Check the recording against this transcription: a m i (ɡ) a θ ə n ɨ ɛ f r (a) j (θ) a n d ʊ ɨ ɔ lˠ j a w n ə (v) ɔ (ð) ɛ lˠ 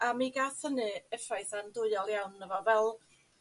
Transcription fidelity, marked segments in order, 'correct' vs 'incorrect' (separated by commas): correct, correct, correct, correct, incorrect